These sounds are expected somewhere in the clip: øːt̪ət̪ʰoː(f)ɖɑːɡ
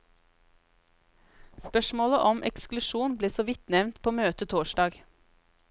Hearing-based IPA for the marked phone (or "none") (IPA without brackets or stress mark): ʃ